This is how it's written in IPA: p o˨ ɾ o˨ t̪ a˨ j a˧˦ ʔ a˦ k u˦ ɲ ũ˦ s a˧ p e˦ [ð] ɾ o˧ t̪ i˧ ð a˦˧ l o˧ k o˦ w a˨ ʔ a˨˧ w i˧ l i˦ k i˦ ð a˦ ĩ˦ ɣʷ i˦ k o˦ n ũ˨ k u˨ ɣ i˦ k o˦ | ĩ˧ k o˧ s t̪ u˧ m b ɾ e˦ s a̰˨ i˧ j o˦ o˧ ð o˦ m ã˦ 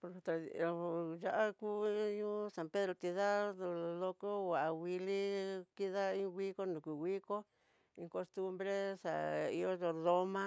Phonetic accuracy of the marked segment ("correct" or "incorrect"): correct